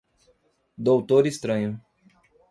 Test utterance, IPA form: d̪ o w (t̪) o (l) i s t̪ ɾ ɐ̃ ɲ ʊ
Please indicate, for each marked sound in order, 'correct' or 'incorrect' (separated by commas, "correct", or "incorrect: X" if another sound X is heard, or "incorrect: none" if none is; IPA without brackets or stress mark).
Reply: correct, incorrect: ɾ